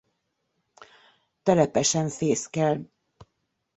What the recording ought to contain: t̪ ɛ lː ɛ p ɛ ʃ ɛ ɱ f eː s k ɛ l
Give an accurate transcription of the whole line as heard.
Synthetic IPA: t̪ ɛ l ɛ p ɛ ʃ ɛ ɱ f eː s k ɛ l